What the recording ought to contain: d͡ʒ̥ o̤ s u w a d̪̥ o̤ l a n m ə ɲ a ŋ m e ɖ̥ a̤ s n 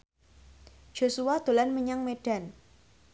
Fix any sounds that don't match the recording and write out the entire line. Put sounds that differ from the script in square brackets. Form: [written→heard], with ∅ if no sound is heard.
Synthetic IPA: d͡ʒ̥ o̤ s u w a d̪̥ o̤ l a n m ə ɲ a ŋ m e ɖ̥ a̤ [s→∅] n